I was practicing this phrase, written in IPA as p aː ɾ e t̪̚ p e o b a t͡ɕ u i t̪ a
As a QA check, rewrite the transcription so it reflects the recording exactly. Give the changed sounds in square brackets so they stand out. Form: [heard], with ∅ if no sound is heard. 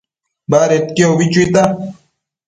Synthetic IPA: [b] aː ɾ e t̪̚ [k] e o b [i] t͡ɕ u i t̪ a